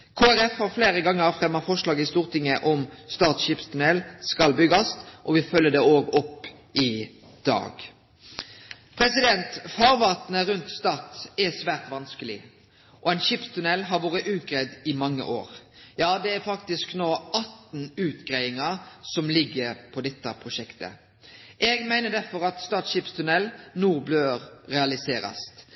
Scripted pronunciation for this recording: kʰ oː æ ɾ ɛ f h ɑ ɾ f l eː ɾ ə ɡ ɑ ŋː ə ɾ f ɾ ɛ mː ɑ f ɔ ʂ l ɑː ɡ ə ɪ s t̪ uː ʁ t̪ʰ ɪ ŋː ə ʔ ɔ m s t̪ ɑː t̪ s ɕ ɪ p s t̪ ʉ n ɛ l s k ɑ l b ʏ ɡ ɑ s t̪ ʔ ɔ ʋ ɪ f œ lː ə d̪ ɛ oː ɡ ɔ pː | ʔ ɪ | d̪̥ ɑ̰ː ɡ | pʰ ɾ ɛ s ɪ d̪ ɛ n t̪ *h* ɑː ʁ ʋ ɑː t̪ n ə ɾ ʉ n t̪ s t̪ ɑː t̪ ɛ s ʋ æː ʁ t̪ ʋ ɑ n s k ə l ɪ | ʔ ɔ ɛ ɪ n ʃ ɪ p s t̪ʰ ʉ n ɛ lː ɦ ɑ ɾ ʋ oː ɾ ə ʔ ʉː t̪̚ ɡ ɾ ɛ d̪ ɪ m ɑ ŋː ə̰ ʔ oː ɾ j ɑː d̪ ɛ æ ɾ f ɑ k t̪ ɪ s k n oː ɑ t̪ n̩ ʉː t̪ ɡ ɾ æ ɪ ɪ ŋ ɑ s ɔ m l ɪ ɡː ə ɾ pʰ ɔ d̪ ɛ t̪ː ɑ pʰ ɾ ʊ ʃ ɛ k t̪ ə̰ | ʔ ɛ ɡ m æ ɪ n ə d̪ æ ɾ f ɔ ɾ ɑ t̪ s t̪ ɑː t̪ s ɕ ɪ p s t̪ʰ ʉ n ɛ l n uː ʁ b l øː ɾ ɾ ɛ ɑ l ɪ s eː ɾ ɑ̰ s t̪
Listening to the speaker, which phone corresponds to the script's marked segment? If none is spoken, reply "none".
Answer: f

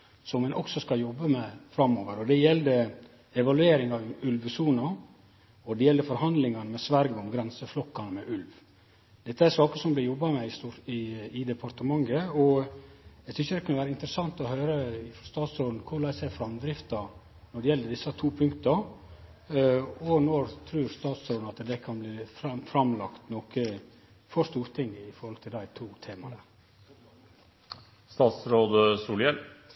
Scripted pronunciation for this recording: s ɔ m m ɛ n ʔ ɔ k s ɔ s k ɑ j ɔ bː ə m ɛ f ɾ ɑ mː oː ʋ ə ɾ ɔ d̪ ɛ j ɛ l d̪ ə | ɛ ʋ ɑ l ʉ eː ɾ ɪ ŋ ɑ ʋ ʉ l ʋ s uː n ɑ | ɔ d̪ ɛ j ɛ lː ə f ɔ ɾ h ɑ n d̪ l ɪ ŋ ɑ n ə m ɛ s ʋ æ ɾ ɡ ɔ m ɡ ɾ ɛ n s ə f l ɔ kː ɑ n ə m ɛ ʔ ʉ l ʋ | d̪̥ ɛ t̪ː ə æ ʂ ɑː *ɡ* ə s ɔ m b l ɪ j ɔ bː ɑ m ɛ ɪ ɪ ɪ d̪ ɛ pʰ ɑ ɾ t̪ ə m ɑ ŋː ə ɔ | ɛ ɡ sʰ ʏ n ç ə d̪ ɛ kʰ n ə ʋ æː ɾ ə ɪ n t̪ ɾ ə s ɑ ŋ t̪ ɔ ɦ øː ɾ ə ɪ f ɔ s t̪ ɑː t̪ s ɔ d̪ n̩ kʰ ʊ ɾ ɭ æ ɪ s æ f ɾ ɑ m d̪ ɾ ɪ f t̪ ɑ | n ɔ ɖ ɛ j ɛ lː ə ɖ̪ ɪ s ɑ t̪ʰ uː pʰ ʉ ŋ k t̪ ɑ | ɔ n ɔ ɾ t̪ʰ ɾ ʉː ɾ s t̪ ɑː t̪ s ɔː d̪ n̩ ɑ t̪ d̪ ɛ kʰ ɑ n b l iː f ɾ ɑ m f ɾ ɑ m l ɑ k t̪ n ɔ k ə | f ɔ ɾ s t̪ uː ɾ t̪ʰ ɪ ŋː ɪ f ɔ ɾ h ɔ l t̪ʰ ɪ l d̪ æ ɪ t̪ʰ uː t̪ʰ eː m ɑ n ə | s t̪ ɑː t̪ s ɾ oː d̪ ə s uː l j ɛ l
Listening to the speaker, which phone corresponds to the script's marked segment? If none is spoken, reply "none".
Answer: k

